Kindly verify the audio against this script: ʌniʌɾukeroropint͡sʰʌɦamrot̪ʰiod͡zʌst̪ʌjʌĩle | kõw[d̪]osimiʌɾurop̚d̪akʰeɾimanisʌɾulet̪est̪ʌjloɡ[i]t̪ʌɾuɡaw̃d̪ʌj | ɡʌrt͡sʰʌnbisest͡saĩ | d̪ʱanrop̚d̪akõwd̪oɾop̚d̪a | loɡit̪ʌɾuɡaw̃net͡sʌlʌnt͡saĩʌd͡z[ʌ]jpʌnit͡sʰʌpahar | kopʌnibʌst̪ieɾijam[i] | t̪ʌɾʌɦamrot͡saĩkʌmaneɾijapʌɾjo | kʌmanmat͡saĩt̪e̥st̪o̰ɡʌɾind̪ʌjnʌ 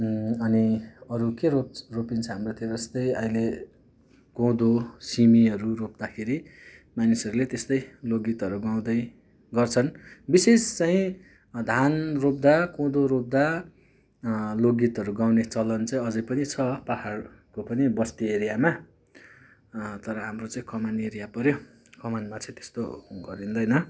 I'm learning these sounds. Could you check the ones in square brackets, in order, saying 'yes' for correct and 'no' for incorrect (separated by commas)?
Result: yes, yes, yes, no